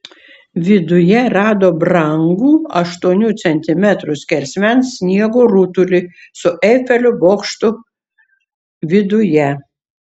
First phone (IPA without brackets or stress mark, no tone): ʋʲ